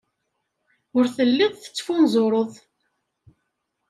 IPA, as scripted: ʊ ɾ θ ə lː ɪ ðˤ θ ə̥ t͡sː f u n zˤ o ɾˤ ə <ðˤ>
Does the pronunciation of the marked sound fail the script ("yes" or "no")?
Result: no